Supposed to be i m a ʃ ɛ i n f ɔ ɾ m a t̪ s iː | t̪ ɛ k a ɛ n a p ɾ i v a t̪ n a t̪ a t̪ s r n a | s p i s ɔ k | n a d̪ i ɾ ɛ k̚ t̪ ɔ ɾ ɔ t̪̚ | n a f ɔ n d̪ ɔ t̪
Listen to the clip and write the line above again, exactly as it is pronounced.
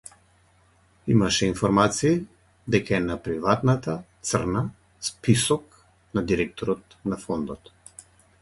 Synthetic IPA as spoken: i m a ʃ ɛ i n f ɔ ɾ m a t̪ s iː | d̪ ɛ k a ɛ n a p ɾ i v a t̪ n a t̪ a t̪ s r n a | s p i s ɔ k | n a d̪ i ɾ ɛ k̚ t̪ ɔ ɾ ɔ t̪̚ | n a f ɔ n d̪ ɔ t̪

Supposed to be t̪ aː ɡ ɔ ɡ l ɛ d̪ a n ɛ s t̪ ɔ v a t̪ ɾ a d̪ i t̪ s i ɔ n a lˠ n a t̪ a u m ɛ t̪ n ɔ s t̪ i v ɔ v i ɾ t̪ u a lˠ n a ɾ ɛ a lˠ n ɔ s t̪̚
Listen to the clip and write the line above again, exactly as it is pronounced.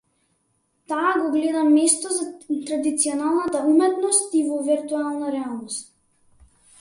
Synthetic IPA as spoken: t̪ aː ɡ ɔ ɡ l ɛ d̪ a m ɛ s t̪ ɔ z a t̪ ɾ a d̪ i t̪ s i ɔ n a lˠ n a t̪ a u m ɛ t̪ n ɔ s t̪ i v ɔ v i ɾ t̪ u a lˠ n a ɾ ɛ a lˠ n ɔ s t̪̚

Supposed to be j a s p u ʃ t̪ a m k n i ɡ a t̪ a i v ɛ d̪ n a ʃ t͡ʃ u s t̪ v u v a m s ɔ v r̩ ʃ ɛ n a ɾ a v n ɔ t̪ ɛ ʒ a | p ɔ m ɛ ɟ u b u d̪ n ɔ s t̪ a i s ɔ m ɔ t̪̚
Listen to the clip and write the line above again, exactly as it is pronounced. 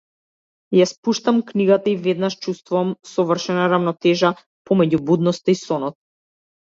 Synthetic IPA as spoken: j a s p u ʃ t̪ a m k n i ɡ a t̪ a i v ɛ d̪ n a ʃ t͡ʃ u s t̪ v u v a m s ɔ v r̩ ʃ ɛ n a ɾ a v n ɔ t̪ ɛ ʒ a | p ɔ m ɛ ɟ u b u d̪ n ɔ s t̪ a i s ɔ n ɔ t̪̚

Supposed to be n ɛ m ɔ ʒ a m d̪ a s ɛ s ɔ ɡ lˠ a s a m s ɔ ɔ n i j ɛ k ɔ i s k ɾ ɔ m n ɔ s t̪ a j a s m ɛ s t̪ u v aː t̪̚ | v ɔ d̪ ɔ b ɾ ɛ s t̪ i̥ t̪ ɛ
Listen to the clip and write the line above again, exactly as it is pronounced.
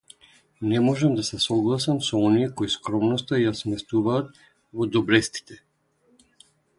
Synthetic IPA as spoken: n ɛ m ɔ ʒ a m d̪ a s ɛ s ɔ ɡ lˠ a s a m s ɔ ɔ n i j ɛ k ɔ i s k ɾ ɔ m n ɔ s t̪ a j a s m ɛ s t̪ u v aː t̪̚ | v ɔ d̪ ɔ b ɾ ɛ s t̪ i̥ t̪ ɛ

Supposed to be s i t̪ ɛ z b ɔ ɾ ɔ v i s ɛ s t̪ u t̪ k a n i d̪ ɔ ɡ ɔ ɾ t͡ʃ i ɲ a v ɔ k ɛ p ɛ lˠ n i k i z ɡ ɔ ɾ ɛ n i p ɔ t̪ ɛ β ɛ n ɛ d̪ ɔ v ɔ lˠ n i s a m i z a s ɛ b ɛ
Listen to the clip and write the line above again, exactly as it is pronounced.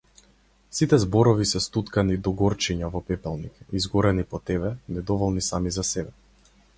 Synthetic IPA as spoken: s i t̪ ɛ z b ɔ ɾ ɔ v i s ɛ s t̪ u t̪ k a n i d̪ ɔ ɡ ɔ ɾ t͡ʃ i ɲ a v ɔ p ɛ p ɛ lˠ n i k i z ɡ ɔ ɾ ɛ n i p ɔ t̪ ɛ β ɛ n ɛ d̪ ɔ v ɔ lˠ n i s a m i z a s ɛ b ɛ

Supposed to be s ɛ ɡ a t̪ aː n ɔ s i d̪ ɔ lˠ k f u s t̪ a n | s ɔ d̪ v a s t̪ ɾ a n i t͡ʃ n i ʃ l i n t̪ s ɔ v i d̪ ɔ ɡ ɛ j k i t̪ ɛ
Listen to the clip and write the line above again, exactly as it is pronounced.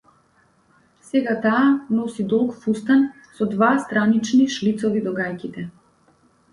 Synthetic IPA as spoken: s ɛ ɡ a t̪ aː n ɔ s i d̪ ɔ lˠ k f u s t̪ a n | s ɔ d̪ v a s t̪ ɾ a n i t͡ʃ n i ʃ l i t̪ s ɔ v i d̪ ɔ ɡ a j k i t̪ ɛ

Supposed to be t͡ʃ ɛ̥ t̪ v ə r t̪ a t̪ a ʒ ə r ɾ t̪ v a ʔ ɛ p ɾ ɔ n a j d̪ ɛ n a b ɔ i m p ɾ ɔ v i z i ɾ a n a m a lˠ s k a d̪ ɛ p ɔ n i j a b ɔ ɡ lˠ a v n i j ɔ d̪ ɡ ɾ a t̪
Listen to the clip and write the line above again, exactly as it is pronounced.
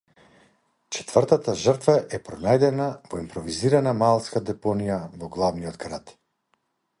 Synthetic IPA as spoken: t͡ʃ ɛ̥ t̪ v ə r t̪ a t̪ a ʒ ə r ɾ t̪ v a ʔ ɛ p ɾ ɔ n a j d̪ ɛ n a v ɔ i m p ɾ ɔ v i z i ɾ a n a m a lˠ s k a d̪ ɛ p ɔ n i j a v ɔ ɡ lˠ a v n i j ɔ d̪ ɡ ɾ a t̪

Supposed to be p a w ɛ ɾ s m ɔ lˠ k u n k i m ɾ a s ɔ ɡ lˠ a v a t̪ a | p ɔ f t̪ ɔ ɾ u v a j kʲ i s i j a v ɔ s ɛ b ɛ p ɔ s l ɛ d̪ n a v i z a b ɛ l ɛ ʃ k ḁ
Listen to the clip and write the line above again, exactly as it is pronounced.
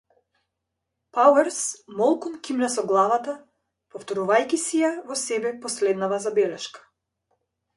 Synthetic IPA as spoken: p a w ɛ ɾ s m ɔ lˠ k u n k i m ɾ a s ɔ ɡ lˠ a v a t̪ a | p ɔ f t̪ ɔ ɾ u v a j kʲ i s i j a v ɔ s ɛ b ɛ p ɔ s l ɛ d̪ n a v a z a b ɛ l ɛ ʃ k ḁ

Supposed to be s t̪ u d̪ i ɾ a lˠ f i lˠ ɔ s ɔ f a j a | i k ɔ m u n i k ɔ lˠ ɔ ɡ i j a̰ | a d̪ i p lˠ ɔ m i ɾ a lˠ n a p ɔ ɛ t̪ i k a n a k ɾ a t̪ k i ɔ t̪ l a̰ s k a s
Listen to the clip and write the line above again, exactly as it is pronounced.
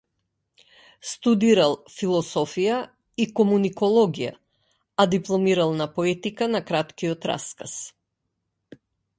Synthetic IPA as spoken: s t̪ u d̪ i ɾ a lˠ f i lˠ ɔ s ɔ f i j a | i k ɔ m u n i k ɔ lˠ ɔ ɡ i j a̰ | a d̪ i p lˠ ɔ m i ɾ a lˠ n a p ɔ ɛ t̪ i k a n a k ɾ a t̪ k i ɔ t̪ ɾ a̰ s k a s

